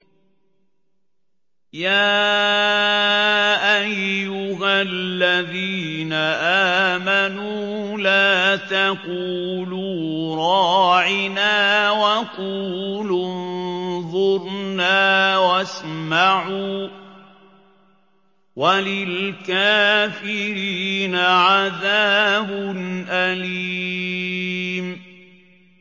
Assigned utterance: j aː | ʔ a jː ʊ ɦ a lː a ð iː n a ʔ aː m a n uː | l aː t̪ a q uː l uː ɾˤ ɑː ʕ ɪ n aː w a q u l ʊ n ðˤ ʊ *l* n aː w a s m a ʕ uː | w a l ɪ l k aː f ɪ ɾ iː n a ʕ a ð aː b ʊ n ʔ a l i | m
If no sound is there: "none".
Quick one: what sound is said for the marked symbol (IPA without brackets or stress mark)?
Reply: ɾ